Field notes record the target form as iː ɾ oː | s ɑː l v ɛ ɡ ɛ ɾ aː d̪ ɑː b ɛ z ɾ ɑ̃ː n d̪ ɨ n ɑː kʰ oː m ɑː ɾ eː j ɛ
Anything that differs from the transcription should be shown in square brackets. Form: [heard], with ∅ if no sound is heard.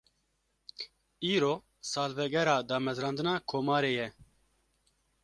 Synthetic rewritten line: iː ɾ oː | s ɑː l v ɛ ɡ ɛ ɾ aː d̪ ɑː [m] ɛ z ɾ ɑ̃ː n d̪ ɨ n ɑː kʰ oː m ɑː ɾ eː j ɛ